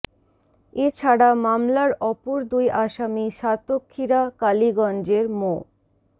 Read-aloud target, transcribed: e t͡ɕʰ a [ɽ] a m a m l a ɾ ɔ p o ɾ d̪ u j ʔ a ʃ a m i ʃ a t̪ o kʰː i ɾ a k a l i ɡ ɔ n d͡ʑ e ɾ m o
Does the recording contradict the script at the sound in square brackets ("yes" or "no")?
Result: no